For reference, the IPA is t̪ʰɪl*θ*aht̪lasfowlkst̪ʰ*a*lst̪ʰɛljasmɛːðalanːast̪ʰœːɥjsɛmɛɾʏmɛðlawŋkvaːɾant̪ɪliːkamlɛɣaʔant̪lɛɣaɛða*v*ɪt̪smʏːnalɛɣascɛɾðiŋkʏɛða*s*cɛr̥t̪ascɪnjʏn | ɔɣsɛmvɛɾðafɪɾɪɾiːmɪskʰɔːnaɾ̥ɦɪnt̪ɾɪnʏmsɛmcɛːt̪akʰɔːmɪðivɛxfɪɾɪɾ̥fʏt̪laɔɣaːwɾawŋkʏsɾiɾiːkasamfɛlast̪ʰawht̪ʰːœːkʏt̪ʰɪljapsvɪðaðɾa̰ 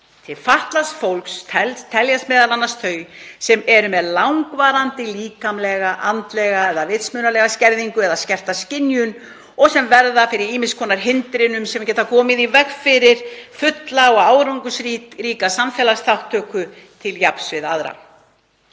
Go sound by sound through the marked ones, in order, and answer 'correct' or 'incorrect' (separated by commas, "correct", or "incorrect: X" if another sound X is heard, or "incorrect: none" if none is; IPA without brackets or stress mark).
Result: incorrect: f, incorrect: ɛ, correct, correct